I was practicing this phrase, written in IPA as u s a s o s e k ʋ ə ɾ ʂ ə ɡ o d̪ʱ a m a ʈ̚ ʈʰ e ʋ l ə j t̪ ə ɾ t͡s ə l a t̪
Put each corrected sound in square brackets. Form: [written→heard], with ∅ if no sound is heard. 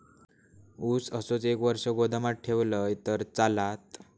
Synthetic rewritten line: u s [a→ə] s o [s→t͡s] e k ʋ ə ɾ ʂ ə ɡ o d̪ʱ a m a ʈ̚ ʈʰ e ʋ l ə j t̪ ə ɾ t͡s [ə→a] l a t̪